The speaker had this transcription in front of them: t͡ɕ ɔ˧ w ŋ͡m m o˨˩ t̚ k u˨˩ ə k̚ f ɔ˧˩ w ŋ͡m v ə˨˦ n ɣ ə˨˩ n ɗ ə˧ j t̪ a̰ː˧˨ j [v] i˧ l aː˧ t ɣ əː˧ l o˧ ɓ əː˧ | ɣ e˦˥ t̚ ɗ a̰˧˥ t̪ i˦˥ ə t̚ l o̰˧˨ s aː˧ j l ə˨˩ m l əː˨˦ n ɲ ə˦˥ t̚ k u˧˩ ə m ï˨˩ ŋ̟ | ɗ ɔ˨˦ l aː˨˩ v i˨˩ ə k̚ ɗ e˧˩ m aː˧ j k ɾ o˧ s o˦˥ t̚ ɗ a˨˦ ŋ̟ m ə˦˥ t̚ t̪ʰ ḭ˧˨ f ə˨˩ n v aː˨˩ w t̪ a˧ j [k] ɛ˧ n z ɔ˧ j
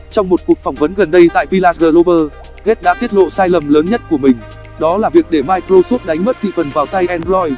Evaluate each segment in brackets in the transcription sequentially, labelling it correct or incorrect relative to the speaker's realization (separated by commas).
correct, incorrect